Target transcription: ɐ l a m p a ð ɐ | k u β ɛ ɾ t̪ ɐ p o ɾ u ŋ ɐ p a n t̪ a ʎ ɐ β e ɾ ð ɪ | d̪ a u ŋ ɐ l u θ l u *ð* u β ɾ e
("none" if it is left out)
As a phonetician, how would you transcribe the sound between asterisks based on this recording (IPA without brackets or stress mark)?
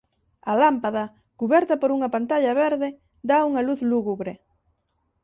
ɣ